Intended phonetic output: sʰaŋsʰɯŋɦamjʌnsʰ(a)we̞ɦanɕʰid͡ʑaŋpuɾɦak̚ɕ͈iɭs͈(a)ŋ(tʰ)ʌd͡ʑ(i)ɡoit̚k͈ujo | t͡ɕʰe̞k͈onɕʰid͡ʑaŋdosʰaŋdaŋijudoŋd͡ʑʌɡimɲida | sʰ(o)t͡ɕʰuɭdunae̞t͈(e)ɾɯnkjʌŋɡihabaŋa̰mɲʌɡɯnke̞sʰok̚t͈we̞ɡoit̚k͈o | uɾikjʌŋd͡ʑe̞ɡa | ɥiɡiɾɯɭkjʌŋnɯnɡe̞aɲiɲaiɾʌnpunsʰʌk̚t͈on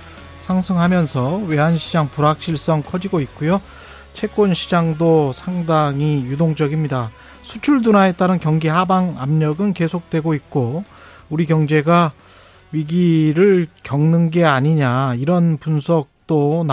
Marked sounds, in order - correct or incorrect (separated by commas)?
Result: incorrect, incorrect, incorrect, correct, incorrect, incorrect